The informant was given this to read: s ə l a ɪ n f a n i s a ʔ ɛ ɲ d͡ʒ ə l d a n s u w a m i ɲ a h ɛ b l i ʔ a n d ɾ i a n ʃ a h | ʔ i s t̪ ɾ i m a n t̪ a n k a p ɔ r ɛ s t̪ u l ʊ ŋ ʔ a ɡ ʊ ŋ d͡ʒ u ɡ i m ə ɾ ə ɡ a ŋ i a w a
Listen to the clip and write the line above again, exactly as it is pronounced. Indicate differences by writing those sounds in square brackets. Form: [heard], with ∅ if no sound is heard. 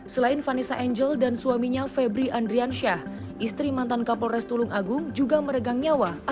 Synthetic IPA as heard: s ə l a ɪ n f a n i s a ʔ ɛ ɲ d͡ʒ ə l d a n s u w a m i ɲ a [f] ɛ b [ɾ] i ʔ a n d ɾ i a n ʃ a h | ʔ i s t̪ ɾ i m a n t̪ a n k a p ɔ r ɛ s t̪ u l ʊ ŋ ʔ a ɡ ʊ ŋ d͡ʒ u ɡ [a] m ə ɾ ə ɡ a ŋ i a w a